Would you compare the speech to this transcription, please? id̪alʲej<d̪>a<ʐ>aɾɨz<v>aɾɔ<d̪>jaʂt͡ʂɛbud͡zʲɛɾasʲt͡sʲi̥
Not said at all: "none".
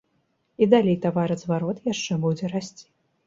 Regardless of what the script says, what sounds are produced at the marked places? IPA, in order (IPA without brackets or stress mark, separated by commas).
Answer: t̪, v, v, t̪